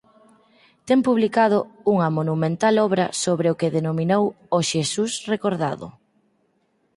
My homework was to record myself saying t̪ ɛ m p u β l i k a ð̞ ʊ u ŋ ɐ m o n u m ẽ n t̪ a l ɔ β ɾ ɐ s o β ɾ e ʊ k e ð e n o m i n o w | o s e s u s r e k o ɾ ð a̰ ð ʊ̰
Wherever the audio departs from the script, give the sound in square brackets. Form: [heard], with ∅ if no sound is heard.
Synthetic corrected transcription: t̪ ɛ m p u β l i k a ð̞ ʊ u ŋ ɐ m o n u m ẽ n t̪ a l ɔ β ɾ ɐ s o β ɾ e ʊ k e ð e n o m i n o w | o [ʃ] e s u s r e k o ɾ ð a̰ ð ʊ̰